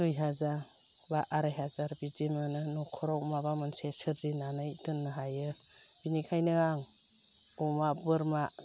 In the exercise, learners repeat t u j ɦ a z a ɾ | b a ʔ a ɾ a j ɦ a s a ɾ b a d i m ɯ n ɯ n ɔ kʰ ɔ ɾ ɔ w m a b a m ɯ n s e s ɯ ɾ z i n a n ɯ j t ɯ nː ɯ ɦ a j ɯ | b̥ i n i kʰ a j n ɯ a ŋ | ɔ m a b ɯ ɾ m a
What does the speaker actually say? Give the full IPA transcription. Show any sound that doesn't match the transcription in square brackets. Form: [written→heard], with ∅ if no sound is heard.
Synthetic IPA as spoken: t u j ɦ a z a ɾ | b a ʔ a ɾ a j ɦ a [s→z] a ɾ b [a→i] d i m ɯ n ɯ n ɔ kʰ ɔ ɾ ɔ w m a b a m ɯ n s e s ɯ ɾ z i n a n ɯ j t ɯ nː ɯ ɦ a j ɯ | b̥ i n i kʰ a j n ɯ a ŋ | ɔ m a b ɯ ɾ m a